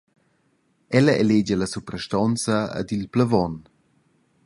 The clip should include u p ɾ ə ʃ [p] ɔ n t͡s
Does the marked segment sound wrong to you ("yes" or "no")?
yes